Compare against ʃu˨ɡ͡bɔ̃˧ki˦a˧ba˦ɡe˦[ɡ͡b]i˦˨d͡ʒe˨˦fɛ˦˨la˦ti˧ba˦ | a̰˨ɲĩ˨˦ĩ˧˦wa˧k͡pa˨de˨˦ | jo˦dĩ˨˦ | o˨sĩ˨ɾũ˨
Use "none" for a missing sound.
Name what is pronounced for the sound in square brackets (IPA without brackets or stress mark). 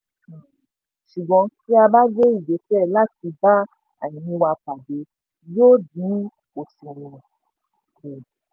none